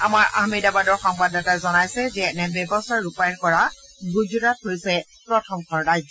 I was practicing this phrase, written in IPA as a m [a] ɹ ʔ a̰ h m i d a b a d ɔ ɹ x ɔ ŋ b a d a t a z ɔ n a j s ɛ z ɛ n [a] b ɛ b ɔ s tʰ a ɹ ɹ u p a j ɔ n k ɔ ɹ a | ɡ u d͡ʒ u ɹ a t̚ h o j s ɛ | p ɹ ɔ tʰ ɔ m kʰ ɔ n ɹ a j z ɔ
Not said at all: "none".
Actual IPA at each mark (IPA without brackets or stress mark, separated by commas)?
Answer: a, ɛ